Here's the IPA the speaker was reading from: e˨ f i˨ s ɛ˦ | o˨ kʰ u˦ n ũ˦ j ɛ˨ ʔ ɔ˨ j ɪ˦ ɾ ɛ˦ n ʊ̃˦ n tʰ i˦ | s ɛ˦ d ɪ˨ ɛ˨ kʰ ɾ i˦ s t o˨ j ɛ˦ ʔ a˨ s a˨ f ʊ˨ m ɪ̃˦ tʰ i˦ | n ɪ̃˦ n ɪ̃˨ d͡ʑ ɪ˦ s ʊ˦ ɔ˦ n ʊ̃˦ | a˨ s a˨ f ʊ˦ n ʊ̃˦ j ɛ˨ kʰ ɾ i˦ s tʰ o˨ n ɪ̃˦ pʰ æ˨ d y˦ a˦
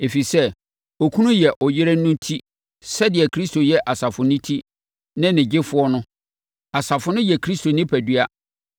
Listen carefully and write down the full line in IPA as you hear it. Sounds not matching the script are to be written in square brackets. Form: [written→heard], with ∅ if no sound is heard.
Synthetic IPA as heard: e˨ f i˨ s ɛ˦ | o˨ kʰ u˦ n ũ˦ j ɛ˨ ʔ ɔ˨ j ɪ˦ ɾ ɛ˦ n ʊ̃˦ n tʰ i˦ | s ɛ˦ d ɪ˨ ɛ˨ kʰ ɾ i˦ s t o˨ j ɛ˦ ʔ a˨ s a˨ f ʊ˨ [m→n] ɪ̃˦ tʰ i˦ | n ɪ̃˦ n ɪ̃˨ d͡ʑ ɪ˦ [s→f] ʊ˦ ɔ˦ n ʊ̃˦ | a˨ s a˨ f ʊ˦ n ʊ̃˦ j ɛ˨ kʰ ɾ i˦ s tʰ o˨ n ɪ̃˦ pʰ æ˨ d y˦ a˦